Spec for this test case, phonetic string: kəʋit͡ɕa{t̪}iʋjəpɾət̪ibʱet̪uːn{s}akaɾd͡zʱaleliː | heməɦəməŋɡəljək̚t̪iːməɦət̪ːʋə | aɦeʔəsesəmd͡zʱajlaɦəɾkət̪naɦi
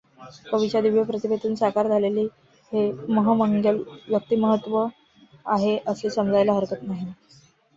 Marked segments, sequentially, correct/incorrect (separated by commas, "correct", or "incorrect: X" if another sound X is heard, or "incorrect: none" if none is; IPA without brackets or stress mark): incorrect: d̪, correct